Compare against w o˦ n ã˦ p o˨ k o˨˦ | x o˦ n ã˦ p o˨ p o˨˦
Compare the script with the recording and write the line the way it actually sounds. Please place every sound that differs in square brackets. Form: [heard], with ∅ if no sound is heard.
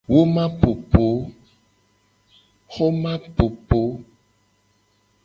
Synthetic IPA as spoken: w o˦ [m] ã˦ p o˨ [p] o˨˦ | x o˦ [m] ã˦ p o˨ p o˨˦